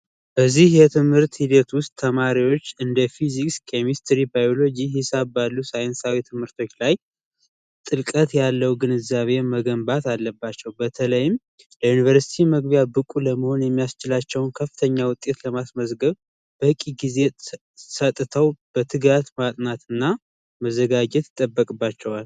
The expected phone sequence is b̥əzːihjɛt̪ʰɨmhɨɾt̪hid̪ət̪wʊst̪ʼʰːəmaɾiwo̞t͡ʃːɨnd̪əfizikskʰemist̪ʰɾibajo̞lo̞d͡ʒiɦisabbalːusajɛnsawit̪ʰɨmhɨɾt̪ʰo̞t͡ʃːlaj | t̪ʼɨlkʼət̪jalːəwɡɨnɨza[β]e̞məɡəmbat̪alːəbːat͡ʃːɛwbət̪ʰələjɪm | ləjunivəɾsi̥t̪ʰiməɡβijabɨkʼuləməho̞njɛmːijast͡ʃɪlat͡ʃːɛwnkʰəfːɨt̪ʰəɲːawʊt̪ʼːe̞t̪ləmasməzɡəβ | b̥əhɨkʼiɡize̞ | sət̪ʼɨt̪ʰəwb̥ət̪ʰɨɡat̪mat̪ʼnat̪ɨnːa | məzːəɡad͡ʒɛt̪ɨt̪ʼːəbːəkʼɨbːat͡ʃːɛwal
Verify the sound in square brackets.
correct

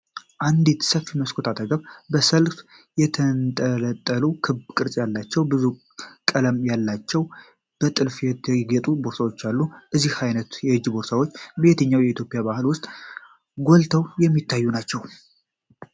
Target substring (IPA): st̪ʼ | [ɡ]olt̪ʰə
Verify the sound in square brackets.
correct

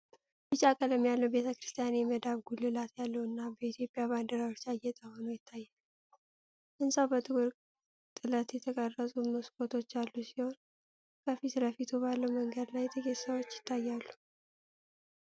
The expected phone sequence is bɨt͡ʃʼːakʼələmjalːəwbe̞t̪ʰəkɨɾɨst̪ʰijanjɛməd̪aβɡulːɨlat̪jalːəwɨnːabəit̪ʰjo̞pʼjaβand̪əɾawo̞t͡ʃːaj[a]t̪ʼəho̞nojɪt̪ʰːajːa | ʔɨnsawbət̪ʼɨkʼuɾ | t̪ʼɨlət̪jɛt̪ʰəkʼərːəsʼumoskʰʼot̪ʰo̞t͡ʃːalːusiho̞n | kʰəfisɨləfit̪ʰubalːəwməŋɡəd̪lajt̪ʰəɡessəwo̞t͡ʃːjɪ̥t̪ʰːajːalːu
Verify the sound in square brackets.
incorrect: ɛ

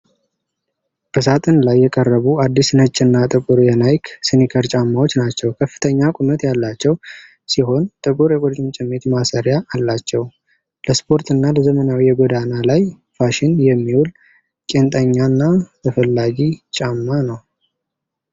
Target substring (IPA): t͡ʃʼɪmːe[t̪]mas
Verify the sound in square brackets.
correct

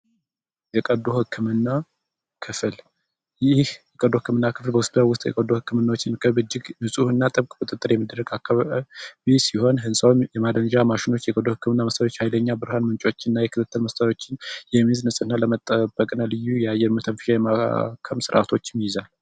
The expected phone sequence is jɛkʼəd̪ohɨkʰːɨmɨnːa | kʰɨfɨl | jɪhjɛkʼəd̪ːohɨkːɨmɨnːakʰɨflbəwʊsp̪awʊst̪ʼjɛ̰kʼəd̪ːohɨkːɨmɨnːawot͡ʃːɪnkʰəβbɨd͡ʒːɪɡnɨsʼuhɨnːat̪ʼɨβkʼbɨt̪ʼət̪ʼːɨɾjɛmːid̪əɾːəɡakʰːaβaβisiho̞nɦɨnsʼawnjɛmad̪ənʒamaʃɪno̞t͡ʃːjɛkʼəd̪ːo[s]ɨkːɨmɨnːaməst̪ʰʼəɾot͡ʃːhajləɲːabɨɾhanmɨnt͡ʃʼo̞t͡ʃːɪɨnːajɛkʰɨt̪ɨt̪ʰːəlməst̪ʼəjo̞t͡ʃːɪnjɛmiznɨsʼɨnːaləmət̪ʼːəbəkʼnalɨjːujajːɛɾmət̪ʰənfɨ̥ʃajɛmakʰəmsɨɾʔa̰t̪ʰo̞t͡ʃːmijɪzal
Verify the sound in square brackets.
incorrect: h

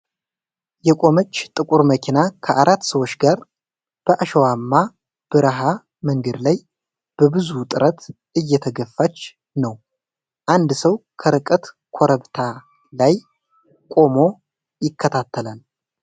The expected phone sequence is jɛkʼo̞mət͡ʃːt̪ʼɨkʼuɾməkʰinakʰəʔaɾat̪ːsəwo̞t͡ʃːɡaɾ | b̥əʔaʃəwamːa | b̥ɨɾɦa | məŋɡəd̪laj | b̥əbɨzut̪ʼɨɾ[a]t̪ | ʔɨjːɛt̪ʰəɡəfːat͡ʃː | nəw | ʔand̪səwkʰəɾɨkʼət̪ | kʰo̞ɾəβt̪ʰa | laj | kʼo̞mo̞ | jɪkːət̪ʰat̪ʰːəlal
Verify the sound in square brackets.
incorrect: ə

